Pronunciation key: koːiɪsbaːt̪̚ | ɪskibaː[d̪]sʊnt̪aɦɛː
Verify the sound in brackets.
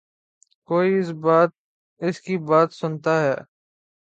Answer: incorrect: t̪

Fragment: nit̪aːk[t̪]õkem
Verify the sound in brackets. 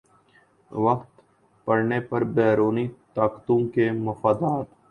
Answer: correct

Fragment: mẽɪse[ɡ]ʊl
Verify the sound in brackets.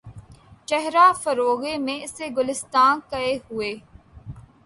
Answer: correct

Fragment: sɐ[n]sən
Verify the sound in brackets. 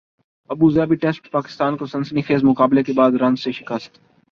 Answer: correct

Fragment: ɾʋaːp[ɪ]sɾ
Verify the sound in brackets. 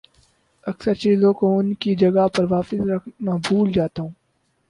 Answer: correct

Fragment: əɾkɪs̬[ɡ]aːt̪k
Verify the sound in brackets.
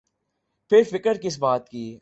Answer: incorrect: b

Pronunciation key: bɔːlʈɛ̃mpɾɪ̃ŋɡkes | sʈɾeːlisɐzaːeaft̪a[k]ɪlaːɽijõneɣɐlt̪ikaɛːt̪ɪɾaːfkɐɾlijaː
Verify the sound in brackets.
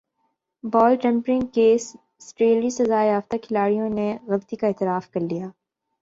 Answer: incorrect: kʰ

